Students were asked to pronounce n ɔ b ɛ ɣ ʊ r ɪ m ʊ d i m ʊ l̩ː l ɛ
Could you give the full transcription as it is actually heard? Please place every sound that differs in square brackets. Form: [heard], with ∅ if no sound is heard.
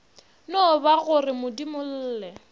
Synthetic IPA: n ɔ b [a] ɣ ʊ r ɪ m ʊ d i m ʊ l̩ː l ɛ